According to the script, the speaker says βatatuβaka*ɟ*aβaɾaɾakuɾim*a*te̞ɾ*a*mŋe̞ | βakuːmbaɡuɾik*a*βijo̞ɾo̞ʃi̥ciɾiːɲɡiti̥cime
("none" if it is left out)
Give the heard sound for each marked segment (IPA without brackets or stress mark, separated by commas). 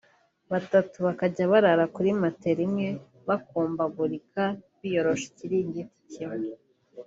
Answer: ɟ, a, i, a